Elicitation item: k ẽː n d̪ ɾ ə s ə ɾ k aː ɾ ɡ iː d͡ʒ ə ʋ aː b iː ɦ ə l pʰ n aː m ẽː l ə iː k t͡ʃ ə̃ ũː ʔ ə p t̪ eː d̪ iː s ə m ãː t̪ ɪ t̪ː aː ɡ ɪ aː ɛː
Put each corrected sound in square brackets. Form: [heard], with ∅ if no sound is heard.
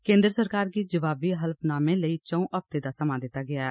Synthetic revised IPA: k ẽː n d̪ ɾ ə s ə ɾ k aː ɾ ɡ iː d͡ʒ ə ʋ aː b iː ɦ ə l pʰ n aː m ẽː l ə iː [∅] t͡ʃ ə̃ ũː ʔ ə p t̪ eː d̪ [aː] s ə m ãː [d̪] ɪ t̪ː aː ɡ ɪ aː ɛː